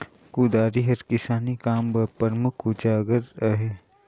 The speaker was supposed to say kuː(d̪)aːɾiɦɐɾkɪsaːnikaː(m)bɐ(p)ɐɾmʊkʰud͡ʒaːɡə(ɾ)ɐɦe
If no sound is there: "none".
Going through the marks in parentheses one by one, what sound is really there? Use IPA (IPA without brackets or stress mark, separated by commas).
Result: d̪, m, p, ɾ